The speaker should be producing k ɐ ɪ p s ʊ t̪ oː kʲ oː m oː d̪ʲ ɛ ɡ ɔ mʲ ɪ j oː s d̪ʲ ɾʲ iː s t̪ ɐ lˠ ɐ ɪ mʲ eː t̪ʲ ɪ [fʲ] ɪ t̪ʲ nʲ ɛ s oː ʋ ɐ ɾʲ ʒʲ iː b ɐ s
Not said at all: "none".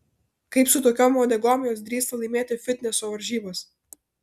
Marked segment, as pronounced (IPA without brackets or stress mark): fʲ